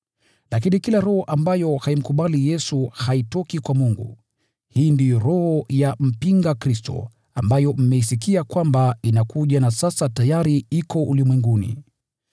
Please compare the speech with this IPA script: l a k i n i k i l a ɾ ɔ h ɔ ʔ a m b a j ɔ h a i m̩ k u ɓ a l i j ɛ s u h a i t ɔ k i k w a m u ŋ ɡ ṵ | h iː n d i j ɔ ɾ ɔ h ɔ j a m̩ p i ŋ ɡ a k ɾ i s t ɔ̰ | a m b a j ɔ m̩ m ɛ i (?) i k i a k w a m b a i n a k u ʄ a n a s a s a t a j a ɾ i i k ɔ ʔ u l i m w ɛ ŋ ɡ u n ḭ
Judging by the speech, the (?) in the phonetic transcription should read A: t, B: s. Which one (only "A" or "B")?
B